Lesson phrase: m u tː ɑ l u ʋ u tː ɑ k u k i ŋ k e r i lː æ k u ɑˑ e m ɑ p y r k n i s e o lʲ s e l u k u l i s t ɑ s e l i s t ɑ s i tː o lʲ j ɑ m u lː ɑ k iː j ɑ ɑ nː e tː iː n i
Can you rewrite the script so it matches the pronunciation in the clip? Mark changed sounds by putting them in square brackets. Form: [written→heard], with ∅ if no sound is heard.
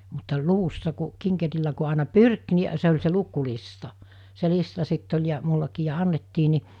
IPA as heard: m u tː ɑ l u ʋ u [tː→sː] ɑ k u k i ŋ k e r i lː æ k u ɑˑ e [m→n] ɑ p y r k n i s e o lʲ s e l u k u l i s t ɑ s e l i s t ɑ s i tː o lʲ j ɑ m u lː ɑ k iː j ɑ ɑ nː e tː iː n i